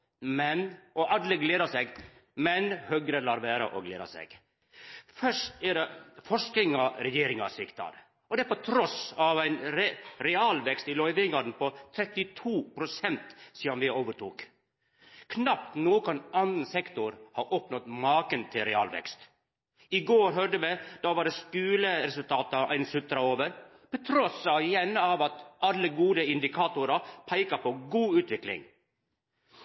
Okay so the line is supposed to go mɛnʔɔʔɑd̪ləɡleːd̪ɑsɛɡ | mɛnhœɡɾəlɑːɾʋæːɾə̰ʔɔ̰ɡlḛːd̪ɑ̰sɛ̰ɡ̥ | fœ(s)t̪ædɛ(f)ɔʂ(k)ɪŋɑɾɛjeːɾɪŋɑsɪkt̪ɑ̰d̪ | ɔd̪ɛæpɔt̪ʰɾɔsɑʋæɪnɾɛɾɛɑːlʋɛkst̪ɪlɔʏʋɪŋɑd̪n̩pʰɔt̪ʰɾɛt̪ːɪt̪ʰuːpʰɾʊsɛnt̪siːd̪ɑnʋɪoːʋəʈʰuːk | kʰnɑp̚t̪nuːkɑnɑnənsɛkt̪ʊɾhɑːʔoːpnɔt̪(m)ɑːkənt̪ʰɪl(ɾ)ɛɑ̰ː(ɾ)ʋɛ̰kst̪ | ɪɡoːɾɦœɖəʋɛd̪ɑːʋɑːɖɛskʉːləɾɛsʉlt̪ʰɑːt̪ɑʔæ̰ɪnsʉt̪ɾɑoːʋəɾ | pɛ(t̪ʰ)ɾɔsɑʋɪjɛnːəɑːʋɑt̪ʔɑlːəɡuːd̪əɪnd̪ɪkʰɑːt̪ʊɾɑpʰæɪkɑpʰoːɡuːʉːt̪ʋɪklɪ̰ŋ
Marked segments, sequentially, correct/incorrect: incorrect, correct, correct, correct, correct, incorrect, correct

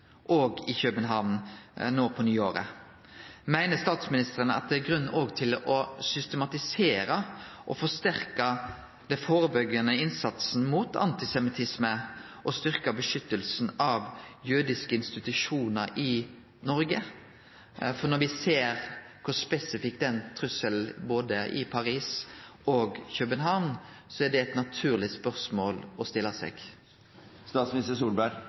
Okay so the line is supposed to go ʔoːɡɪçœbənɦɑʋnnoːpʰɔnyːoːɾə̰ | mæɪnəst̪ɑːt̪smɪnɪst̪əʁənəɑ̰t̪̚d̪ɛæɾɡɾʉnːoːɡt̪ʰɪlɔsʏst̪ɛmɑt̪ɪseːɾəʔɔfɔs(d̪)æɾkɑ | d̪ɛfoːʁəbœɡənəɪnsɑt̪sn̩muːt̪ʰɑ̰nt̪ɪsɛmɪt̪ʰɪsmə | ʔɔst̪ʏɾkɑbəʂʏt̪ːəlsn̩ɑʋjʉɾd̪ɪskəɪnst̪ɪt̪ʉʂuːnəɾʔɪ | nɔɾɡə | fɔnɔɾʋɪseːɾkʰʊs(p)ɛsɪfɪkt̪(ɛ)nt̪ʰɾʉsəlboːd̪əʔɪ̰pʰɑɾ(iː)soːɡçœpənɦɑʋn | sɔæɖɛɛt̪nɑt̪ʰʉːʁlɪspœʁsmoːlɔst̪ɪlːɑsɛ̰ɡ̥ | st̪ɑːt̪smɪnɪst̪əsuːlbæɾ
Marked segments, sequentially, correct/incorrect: incorrect, correct, correct, correct

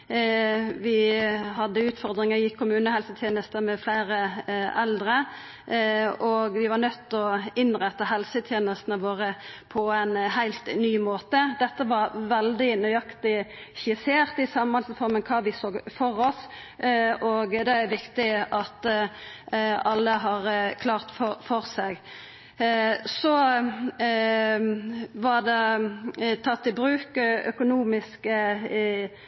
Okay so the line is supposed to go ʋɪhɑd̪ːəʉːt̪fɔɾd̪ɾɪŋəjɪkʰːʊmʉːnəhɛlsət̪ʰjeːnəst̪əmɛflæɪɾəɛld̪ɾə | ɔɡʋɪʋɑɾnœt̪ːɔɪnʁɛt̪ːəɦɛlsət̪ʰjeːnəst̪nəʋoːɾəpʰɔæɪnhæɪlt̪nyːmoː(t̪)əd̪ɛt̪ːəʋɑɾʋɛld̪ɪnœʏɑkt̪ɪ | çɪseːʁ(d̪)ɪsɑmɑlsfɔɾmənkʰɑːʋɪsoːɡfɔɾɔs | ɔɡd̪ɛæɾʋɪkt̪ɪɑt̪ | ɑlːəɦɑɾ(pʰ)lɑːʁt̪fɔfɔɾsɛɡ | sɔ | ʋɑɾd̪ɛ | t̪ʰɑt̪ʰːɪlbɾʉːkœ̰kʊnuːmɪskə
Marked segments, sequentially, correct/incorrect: correct, incorrect, incorrect

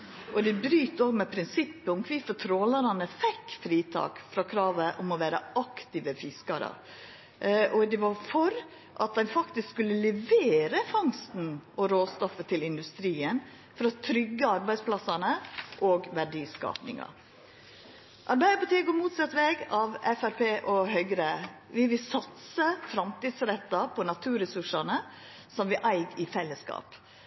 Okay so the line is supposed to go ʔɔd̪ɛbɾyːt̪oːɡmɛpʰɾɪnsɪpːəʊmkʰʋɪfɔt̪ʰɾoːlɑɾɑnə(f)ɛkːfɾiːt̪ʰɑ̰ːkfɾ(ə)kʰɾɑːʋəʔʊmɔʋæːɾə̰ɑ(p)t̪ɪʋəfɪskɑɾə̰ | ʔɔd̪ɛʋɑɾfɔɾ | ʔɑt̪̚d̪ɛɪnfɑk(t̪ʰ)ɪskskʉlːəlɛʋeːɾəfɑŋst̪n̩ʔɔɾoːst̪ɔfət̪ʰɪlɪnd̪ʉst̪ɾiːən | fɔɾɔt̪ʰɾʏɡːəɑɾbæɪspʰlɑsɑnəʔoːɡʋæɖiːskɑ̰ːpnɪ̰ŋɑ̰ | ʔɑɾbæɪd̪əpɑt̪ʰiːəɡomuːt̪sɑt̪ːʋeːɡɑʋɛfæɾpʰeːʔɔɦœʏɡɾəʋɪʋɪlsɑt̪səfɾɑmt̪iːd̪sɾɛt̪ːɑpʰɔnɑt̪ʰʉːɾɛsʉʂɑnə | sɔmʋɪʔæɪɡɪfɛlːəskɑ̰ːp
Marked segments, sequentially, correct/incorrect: correct, incorrect, incorrect, incorrect

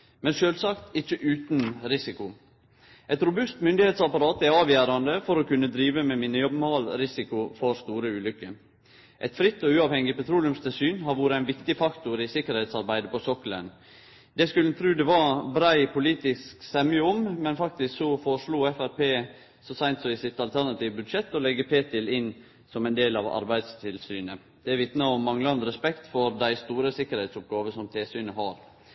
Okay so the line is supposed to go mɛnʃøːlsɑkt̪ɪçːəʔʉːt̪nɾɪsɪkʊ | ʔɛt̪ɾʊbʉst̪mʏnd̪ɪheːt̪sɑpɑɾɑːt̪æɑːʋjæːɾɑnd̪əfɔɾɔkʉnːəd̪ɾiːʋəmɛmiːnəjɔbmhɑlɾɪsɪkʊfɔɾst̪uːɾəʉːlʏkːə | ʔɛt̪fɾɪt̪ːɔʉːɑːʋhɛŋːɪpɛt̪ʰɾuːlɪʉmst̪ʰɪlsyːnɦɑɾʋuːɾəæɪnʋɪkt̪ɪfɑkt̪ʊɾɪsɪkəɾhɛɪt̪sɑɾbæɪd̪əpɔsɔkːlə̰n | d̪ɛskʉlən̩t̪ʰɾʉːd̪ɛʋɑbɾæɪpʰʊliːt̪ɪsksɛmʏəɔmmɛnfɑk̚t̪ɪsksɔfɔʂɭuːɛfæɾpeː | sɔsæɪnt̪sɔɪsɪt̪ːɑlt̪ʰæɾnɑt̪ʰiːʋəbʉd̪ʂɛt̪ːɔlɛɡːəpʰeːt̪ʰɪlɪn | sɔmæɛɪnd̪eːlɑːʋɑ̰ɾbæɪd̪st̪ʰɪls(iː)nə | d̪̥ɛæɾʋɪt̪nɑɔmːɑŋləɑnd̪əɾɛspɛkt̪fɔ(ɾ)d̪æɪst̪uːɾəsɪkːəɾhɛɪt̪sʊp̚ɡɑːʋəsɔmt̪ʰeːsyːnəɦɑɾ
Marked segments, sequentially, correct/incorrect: incorrect, correct

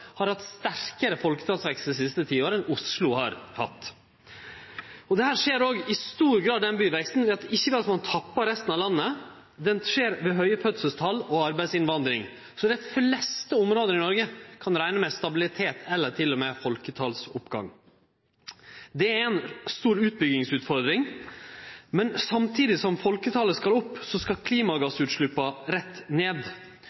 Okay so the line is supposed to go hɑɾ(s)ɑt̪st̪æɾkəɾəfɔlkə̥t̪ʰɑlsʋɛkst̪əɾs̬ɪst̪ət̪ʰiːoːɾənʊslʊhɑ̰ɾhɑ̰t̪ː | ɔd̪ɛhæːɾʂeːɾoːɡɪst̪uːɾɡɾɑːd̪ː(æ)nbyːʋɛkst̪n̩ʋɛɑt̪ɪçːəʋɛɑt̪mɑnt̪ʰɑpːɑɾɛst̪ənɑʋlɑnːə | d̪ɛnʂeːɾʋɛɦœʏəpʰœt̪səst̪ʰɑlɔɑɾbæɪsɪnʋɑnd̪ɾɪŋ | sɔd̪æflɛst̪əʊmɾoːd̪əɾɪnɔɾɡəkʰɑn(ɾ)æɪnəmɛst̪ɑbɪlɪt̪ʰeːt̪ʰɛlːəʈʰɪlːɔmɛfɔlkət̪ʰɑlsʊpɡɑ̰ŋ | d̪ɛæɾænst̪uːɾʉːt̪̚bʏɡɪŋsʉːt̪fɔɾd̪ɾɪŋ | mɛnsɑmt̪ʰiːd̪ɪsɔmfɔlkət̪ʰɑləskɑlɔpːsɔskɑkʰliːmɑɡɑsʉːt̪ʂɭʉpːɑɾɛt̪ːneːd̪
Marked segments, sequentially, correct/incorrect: incorrect, incorrect, correct

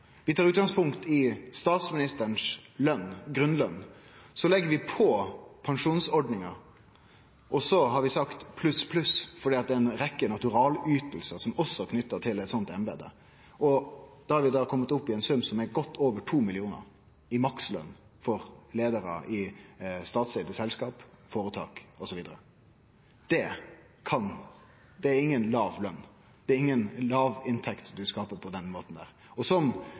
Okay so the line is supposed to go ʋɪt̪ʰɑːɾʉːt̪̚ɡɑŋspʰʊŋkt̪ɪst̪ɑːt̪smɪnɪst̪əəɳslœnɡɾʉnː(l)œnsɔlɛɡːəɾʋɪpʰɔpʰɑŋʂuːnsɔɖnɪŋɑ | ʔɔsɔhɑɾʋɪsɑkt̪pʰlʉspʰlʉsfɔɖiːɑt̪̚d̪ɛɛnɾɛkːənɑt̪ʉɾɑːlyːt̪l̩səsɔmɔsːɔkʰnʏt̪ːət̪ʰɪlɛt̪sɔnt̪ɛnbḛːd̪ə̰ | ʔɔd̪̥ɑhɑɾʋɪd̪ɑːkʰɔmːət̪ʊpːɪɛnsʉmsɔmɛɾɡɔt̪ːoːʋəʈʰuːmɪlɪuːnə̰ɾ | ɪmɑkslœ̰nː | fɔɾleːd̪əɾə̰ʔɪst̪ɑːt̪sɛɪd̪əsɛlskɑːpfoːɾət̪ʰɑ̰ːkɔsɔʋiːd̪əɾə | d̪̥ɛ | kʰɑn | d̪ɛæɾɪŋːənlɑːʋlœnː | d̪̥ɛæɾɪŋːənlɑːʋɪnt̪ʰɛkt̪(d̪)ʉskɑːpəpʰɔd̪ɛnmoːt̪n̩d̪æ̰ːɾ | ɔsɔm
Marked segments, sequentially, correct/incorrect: correct, correct

